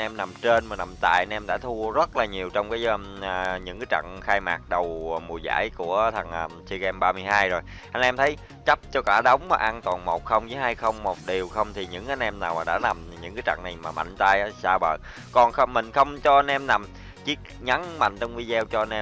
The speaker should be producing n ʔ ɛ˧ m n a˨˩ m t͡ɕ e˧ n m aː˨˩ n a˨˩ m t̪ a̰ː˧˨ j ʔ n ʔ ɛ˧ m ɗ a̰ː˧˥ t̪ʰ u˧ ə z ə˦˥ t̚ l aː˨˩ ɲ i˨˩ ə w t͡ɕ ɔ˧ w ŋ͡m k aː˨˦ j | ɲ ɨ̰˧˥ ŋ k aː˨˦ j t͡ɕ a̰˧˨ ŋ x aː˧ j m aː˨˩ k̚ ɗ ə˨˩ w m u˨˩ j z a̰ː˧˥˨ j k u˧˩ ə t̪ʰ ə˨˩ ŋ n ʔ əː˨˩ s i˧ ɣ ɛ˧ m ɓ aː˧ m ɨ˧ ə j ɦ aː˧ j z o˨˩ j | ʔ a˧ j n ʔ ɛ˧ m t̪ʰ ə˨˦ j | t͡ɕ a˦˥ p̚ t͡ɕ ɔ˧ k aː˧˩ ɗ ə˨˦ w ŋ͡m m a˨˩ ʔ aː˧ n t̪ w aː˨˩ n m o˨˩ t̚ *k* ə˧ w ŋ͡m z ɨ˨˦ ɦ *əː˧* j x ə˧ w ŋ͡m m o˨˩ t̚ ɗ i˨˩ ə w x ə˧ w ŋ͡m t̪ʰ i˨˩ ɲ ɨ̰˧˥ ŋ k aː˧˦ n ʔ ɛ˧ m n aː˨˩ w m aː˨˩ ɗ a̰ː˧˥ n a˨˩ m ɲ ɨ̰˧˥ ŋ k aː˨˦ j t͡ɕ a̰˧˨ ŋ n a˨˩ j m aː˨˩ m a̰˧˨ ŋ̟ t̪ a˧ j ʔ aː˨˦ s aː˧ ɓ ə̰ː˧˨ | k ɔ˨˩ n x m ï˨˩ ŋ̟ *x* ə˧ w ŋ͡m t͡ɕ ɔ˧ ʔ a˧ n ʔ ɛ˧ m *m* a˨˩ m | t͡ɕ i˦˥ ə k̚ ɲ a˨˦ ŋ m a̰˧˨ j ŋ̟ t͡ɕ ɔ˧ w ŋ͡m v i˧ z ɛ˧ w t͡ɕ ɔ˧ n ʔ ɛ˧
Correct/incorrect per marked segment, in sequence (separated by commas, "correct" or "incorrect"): incorrect, incorrect, correct, incorrect